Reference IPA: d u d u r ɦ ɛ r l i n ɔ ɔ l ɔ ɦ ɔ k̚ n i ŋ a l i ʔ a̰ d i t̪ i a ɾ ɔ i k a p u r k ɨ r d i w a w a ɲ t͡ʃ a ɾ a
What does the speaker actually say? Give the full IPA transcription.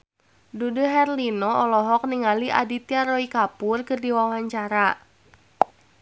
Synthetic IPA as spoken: d u d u ɦ ɛ r l i n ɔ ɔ l ɔ ɦ ɔ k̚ n i ŋ a l i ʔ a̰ d i t̪ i a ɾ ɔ i k a p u r k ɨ r d i w a w a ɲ t͡ʃ a ɾ a